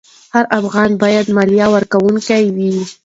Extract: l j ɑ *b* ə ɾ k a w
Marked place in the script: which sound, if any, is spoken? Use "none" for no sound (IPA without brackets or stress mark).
w